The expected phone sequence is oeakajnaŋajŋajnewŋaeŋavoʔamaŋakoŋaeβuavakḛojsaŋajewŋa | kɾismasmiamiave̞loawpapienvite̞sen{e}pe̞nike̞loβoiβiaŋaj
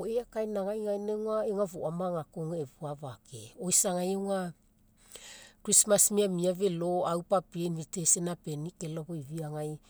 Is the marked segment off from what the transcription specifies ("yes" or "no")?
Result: yes